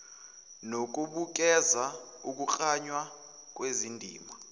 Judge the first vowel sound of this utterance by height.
mid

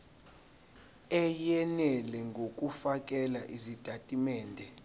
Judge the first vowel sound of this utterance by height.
mid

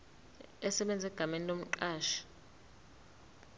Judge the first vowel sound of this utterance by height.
mid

